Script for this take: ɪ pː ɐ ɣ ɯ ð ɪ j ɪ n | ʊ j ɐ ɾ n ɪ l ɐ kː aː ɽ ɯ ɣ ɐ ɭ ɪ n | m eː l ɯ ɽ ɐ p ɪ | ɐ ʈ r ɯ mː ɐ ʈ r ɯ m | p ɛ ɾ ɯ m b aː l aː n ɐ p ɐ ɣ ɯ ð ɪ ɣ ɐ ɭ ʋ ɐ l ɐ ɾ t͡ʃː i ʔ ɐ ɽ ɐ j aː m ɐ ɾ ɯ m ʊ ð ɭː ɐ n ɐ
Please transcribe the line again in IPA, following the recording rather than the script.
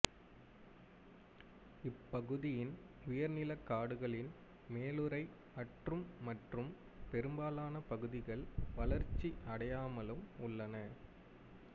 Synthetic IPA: ɪ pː ɐ ɣ ɯ ð ɪ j ɪ n | ʊ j ɐ ɾ n ɪ l ɐ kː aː ɽ ɯ ɣ ɐ ɭ ɪ n | m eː l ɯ ɾ ɐ ɪ | ɐ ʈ r ɯ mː ɐ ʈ r ɯ m | p ɛ ɾ ɯ m b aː l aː n ɐ p ɐ ɣ ɯ ð ɪ ɣ ɐ ɭ ʋ ɐ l ɐ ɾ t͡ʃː i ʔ ɐ ɽ ɐ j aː m ɐ l ɯ m ʊ ɭː ɐ n ɐ